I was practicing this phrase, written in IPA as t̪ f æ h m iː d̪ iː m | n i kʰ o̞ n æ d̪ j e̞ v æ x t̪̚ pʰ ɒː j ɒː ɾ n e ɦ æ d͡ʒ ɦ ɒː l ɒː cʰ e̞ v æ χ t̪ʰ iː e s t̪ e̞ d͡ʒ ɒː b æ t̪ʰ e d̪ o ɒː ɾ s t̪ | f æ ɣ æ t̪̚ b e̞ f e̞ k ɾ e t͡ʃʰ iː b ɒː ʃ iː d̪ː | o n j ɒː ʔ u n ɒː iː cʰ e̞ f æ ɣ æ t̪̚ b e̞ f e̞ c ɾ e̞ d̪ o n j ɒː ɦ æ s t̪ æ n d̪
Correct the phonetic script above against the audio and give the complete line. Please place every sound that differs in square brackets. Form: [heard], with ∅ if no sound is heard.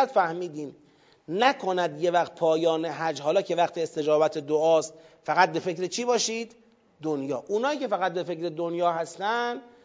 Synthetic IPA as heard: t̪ f æ h m iː d̪ iː m | n [æ] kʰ o̞ n æ d̪ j e̞ v æ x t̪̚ pʰ ɒː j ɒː [∅] n e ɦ æ d͡ʒ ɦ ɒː l ɒː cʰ e̞ v æ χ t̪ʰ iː e s t̪ e̞ d͡ʒ ɒː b æ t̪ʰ e d̪ o ɒː [∅] s t̪ | f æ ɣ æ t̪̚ b e̞ f e̞ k ɾ e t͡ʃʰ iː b ɒː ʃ iː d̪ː | o n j ɒː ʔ u n ɒː iː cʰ e̞ f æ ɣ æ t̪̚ b e̞ f e̞ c ɾ e̞ d̪ o n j ɒː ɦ æ s t̪ æ n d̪